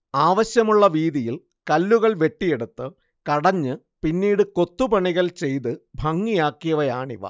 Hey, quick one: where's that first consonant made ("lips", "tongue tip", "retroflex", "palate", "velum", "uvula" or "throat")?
lips